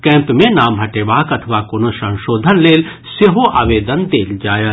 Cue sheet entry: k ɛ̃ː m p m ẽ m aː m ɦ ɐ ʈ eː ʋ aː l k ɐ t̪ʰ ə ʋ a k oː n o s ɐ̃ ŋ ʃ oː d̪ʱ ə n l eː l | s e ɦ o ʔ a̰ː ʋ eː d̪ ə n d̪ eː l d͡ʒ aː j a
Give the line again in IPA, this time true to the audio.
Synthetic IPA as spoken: k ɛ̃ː m p m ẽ n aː m ɦ ɐ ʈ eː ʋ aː k ɐ t̪ʰ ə ʋ a k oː n o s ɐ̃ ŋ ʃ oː d̪ʱ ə n l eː l | s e ɦ o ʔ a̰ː ʋ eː d̪ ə n d̪ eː l d͡ʒ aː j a

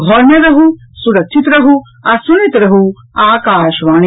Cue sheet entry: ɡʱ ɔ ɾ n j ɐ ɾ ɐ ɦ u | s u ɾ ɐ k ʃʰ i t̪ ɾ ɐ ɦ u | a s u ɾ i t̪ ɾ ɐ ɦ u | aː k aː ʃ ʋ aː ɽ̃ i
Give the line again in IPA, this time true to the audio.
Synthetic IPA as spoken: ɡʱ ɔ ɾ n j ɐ ɾ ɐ ɦ u | s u ɾ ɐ k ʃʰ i t̪ ɾ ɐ ɦ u | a s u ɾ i t̪ ɾ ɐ ɦ u | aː k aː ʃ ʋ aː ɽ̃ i

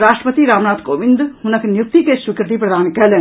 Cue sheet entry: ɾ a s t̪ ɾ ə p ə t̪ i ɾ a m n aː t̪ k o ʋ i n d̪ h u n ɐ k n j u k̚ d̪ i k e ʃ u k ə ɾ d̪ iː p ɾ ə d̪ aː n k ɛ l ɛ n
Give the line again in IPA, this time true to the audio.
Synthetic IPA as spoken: ɾ a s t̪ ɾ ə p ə t̪ i ɾ a m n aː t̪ k o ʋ i n d̪ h u n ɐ k n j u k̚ t̪ i k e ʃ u k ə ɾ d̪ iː p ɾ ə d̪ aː n k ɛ l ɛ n

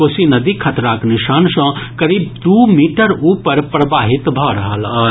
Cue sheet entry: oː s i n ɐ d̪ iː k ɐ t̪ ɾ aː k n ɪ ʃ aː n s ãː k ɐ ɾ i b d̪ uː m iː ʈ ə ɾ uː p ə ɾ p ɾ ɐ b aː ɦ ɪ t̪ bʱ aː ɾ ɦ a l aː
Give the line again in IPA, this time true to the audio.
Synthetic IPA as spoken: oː s i n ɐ d̪ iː kʰ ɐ t̪ ɾ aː k n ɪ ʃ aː n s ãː k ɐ ɾ iː b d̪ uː m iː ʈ ə ɾ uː p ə ɾ p ɾ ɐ b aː ɦ ɪ t̪ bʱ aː ɾ ɦ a l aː

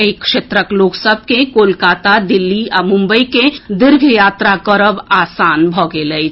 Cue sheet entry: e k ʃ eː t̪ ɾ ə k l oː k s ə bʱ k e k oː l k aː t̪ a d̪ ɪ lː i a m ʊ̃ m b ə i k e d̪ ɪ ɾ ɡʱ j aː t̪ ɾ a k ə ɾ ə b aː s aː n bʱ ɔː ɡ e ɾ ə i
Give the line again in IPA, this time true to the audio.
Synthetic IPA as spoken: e k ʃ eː t̪ ɾ ə k l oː k s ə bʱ k e k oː l k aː t̪ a d̪ ɪ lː i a m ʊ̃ m b ə i k e d̪ ɪ ɾ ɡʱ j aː t̪ ɾ a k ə ɾ ə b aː s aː n bʱ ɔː ɡ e l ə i

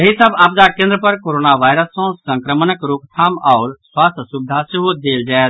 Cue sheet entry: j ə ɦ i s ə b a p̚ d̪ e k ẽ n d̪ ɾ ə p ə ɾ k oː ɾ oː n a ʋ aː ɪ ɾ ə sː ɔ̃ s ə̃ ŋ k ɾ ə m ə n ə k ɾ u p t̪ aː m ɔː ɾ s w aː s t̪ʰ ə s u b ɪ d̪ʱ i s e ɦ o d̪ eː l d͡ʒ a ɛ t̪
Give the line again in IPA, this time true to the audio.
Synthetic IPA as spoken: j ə ɦ i s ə b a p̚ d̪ a k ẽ n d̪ ɾ ə p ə ɾ k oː ɾ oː n a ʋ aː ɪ ɾ ə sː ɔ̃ s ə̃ ŋ k ɾ ə m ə n ə k ɾ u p t̪ʰ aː m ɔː ɾ s w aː s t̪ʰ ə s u b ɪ d̪ʱ a s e ɦ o d̪ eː l d͡ʒ a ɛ t̪

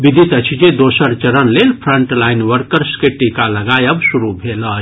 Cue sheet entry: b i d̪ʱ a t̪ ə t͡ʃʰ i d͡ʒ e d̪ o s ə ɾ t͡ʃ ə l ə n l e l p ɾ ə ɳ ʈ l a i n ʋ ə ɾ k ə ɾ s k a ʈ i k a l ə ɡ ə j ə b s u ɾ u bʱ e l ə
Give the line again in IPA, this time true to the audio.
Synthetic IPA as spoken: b i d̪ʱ i t̪ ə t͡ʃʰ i d͡ʒ e d̪ o s ə ɾ t͡ʃ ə ɾ ə n l e l pʰ ɾ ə ɳ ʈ l a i n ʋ ə ɾ k ə ɾ s k e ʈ i k a l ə ɡ a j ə b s u ɾ u bʱ e l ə

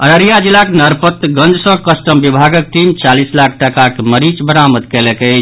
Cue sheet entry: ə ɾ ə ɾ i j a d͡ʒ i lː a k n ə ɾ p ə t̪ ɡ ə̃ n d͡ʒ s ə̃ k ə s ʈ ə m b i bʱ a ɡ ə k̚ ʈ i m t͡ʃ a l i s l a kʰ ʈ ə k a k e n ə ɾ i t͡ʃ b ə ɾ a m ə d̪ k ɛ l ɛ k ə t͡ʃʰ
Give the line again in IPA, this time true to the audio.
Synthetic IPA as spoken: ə ɾ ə ɾ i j a d͡ʒ i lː a k n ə ɾ p ə t̪ ɡ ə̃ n d͡ʒ s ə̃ k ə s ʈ ə m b i bʱ a ɡ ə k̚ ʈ i m t͡ʃ a l i s l a kʰ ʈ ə k a k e m ə ɾ i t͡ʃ b ə ɾ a m ə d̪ k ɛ l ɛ k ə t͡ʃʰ

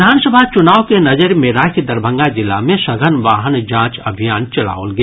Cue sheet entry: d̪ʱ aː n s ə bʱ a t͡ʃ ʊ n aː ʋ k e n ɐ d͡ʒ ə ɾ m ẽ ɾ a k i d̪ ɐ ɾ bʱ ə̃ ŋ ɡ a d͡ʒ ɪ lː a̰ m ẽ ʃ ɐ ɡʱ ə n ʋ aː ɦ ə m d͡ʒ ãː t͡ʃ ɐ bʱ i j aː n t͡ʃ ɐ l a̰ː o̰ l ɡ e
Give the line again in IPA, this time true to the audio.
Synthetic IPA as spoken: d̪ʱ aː n s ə bʱ a t͡ʃ ʊ n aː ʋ k e n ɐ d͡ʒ ə ɾ m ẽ ɾ a k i d̪ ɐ ɾ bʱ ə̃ ŋ ɡ a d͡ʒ ɪ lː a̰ m ẽ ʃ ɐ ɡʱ ə n ʋ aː ɦ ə n d͡ʒ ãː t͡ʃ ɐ bʱ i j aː n t͡ʃ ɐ l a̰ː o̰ l ɡ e

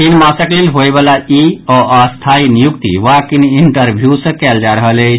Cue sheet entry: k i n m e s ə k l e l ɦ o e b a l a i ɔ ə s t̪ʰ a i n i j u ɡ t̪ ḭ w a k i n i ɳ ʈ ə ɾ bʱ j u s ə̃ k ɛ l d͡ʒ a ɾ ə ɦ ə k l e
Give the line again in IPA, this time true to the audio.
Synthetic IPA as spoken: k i n m a s ə k l e l ɦ o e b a l a i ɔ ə s t̪ʰ a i n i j u k t̪ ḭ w a k i n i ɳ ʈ ə ɾ bʱ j u s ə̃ k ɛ l d͡ʒ a ɾ ə ɦ ə l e

